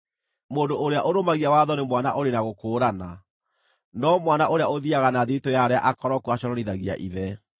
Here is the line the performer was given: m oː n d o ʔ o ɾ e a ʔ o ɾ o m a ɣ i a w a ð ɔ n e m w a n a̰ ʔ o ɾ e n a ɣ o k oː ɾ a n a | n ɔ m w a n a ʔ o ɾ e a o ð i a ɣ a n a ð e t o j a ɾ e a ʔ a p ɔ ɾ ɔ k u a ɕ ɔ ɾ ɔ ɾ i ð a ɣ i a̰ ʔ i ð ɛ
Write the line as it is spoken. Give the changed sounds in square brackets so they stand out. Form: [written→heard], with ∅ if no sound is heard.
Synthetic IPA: m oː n d o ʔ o ɾ e a ʔ o ɾ o m a ɣ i a w a ð ɔ n e m w a n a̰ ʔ o ɾ e n a ɣ o k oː ɾ a n a | n ɔ m w a n a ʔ o ɾ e a o ð i a ɣ a n a ð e t o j a ɾ e a ʔ a [p→k] ɔ ɾ ɔ k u a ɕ ɔ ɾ ɔ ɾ i ð a ɣ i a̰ ʔ i ð ɛ